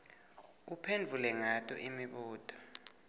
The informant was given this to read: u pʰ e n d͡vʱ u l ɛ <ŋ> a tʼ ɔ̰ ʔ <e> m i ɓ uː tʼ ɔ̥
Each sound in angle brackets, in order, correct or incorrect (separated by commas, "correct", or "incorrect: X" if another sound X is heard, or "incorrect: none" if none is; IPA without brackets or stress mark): correct, incorrect: i